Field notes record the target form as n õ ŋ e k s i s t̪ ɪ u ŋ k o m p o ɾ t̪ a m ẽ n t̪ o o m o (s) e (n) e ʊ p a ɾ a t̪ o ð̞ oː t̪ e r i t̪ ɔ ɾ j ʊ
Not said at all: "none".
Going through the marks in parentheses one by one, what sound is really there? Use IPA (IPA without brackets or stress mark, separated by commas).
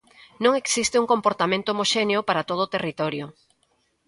ʃ, n